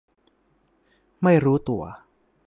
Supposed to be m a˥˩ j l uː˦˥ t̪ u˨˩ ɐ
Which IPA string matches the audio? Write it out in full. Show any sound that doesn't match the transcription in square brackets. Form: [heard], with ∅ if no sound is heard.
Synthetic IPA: m a˥˩ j [ɾ] uː˦˥ t̪ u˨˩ ɐ